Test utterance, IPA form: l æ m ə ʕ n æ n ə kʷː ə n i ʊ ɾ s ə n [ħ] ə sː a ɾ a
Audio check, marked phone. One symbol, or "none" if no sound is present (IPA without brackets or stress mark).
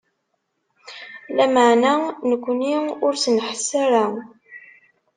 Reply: ħ